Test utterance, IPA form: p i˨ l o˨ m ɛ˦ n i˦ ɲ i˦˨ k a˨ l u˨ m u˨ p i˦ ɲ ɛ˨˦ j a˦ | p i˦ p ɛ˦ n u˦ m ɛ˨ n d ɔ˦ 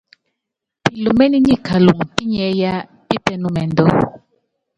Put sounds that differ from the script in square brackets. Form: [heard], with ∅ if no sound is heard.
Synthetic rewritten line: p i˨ l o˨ m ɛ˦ n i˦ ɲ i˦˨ k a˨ l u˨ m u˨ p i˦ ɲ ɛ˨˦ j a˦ | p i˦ p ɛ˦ n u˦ m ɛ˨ n d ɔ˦